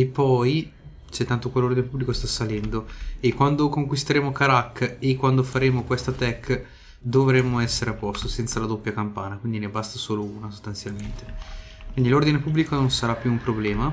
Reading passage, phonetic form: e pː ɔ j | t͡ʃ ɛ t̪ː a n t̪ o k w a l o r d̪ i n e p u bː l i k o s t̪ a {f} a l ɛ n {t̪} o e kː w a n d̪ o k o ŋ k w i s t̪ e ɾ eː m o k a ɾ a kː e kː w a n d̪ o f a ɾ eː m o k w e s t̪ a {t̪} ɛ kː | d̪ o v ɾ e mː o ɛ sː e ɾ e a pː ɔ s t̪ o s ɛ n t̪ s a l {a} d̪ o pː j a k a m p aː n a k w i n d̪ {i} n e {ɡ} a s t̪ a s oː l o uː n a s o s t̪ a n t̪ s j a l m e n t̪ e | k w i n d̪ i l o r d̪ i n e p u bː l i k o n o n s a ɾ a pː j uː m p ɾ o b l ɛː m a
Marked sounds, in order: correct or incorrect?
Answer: incorrect, incorrect, correct, correct, correct, incorrect

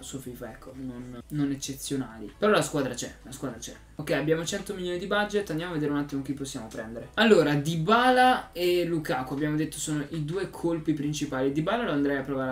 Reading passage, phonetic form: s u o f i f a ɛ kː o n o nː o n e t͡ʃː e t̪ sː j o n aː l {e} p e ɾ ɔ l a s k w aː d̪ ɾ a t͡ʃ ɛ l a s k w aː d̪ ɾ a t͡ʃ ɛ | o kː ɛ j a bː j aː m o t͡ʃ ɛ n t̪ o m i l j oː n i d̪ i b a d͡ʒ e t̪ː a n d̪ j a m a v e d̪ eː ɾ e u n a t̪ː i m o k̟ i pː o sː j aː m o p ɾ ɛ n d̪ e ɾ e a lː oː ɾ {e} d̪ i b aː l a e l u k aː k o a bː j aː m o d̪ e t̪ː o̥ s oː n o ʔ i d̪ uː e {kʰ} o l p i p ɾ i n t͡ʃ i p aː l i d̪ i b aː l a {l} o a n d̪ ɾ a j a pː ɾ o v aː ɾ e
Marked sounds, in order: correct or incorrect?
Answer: incorrect, incorrect, correct, correct

